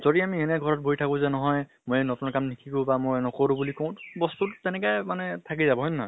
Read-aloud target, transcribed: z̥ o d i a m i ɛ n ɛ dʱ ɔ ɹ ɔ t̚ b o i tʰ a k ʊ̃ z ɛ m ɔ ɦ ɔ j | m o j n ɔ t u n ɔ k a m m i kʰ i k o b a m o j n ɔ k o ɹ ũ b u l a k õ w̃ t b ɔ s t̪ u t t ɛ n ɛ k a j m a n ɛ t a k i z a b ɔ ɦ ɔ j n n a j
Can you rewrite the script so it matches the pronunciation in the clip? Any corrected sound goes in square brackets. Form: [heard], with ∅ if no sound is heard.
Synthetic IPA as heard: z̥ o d i a m i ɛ n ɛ [ɡʱ] ɔ ɹ ɔ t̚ b o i tʰ a k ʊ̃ z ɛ [n] ɔ ɦ ɔ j | m o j n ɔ t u n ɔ k a m [n] i kʰ i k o b a m o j n ɔ k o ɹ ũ b u l [i] k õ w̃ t b ɔ s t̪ u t t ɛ n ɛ k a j m a n ɛ [tʰ] a k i z a b ɔ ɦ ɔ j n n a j